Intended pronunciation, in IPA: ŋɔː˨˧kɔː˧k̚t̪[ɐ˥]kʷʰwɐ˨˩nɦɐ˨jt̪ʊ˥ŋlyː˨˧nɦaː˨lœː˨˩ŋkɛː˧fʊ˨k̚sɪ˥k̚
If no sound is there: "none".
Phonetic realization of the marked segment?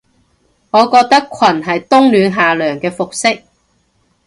ɐ˥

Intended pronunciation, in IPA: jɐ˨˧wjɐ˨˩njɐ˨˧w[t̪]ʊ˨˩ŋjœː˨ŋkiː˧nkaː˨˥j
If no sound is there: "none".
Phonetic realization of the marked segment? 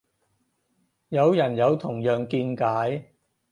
t̪ʰ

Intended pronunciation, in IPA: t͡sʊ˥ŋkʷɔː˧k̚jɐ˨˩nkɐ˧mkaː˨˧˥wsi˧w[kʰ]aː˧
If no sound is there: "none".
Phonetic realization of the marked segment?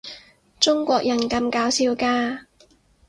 k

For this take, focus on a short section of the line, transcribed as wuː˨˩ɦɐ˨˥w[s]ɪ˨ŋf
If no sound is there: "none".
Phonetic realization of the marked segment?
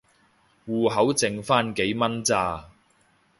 t͡s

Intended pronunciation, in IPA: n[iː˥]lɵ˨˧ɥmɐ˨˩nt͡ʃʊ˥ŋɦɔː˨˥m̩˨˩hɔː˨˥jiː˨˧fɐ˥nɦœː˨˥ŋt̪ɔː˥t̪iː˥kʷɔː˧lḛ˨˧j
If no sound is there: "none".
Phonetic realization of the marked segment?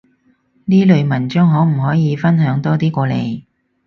iː˥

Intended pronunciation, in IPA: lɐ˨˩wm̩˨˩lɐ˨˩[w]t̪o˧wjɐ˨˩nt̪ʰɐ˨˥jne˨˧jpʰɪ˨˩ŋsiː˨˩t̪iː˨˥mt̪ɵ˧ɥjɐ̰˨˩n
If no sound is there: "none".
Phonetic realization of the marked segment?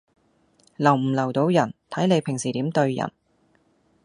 w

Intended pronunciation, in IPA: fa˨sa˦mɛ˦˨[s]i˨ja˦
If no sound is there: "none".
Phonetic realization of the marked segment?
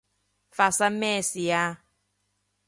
s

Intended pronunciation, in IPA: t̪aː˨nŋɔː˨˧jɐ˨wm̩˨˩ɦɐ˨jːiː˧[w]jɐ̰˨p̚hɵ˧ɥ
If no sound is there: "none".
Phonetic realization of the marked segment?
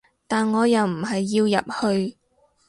w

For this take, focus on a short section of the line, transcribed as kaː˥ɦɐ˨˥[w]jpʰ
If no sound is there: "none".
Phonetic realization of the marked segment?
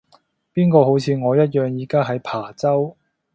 none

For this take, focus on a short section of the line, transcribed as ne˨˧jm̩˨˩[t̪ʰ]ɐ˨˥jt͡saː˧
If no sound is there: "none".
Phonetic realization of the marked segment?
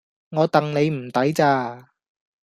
t̪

